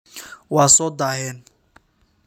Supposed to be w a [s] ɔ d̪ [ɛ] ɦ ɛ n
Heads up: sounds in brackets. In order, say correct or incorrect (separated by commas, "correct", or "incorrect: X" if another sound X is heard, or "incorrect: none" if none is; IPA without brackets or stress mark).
correct, incorrect: a